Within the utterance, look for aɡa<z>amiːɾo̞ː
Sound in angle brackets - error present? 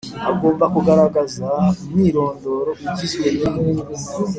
no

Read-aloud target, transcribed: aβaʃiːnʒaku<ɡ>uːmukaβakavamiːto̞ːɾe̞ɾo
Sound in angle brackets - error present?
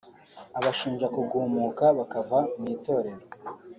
no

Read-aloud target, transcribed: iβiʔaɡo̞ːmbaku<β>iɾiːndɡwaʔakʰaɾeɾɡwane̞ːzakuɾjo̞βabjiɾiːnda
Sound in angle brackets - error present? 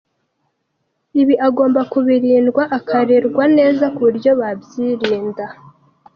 no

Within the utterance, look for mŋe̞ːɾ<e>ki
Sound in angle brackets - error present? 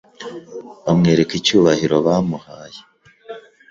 no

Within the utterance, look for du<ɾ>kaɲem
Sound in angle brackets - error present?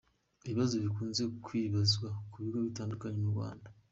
yes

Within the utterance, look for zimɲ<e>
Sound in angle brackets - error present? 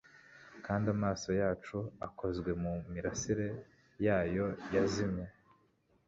no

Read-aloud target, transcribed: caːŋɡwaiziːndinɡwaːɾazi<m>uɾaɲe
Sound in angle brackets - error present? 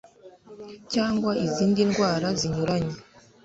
yes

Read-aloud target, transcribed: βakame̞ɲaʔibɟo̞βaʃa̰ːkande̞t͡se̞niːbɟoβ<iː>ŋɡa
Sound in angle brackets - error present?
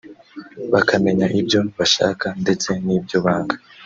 yes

